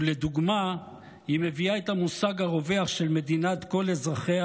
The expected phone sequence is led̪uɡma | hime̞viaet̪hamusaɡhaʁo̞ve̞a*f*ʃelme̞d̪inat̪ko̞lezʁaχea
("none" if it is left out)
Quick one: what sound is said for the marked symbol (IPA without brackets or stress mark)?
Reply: χ